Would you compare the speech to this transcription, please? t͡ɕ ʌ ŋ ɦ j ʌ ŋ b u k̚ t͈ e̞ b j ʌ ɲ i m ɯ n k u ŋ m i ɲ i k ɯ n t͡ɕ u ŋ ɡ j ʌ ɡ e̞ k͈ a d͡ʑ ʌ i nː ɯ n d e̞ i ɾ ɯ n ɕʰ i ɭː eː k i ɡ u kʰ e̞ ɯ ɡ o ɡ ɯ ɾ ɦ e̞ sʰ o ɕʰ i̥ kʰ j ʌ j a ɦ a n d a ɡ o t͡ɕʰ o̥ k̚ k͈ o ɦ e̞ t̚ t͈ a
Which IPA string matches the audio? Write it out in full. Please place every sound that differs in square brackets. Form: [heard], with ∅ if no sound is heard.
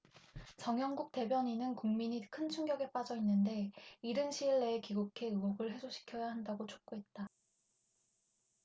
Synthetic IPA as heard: t͡ɕ ʌ ŋ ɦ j ʌ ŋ [ɡ] u k̚ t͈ e̞ b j ʌ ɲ i [n] ɯ n k u ŋ m i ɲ i [kʰ] ɯ n [t͡ɕʰ] u ŋ ɡ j ʌ ɡ e̞ [p͈] a d͡ʑ ʌ i nː ɯ n d e̞ i ɾ ɯ n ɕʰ i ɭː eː k i ɡ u kʰ e̞ ɯ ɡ o ɡ ɯ [ɭ] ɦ e̞ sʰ o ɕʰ i̥ kʰ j ʌ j a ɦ a n d a ɡ o t͡ɕʰ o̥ k̚ k͈ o ɦ e̞ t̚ t͈ a